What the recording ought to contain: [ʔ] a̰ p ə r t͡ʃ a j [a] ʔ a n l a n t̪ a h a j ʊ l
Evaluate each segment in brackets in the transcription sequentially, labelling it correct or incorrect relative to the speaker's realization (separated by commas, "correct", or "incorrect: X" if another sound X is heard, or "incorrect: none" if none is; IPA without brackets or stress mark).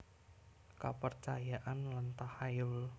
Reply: incorrect: k, correct